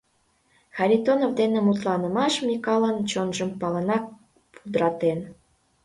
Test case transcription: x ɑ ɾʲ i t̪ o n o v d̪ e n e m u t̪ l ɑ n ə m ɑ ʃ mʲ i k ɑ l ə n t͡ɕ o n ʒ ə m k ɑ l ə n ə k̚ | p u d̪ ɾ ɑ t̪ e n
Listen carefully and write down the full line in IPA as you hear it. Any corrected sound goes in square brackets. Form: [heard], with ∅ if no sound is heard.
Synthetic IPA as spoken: x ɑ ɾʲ i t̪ o n o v d̪ e n e m u t̪ l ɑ n ə m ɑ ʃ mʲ i k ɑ l ə n t͡ɕ o n ʒ ə m [p] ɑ l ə n [ɑ] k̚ | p u d̪ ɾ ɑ t̪ e n